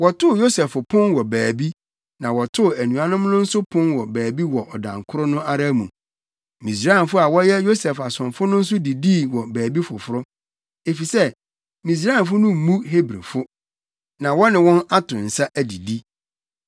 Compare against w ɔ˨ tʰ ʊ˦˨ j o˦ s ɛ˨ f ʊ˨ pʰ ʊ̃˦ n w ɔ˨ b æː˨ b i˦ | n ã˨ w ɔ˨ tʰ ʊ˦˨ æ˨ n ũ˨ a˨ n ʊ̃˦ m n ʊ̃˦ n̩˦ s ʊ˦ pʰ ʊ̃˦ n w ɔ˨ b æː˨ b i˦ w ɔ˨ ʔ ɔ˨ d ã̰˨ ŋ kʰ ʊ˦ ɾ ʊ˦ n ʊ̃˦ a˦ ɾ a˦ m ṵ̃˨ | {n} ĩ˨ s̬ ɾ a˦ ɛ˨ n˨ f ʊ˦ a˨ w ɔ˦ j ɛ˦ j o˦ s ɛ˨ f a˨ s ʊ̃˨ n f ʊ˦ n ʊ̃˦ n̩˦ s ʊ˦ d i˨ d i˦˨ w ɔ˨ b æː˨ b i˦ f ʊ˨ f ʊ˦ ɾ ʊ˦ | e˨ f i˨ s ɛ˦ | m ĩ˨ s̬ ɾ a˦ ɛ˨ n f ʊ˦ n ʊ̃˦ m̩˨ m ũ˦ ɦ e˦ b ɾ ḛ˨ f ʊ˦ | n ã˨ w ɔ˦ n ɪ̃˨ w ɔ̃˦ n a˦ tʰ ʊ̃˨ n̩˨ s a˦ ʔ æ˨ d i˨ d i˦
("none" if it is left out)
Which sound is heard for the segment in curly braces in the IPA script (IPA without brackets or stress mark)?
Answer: m